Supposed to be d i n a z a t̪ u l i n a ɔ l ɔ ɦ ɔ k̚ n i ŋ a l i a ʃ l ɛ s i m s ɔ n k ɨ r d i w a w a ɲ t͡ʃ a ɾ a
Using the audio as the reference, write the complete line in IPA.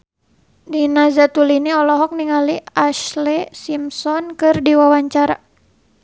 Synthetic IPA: d i n a z a t̪ u l i n i ɔ l ɔ ɦ ɔ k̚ n i ŋ a l i a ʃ l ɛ s i m s ɔ n k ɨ r d i w a w a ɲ t͡ʃ a ɾ a